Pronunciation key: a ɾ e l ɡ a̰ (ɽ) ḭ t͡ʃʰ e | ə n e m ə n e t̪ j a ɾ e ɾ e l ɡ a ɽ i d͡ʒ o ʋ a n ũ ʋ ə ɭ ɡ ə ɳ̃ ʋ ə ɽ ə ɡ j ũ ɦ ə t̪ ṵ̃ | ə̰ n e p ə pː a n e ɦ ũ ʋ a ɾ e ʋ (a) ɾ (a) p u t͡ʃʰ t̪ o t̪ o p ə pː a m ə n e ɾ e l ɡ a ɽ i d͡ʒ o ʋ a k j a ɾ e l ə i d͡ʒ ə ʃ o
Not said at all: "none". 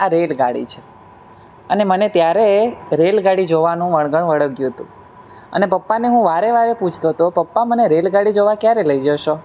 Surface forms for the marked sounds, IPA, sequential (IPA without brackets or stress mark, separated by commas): ɽ, a, e